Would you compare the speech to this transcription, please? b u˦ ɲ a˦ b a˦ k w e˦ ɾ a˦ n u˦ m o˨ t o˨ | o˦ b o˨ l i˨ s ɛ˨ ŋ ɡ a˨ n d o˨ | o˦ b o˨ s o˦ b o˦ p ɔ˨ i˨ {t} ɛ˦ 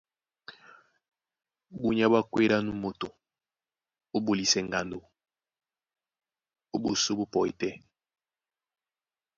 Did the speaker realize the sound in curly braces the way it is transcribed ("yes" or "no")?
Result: yes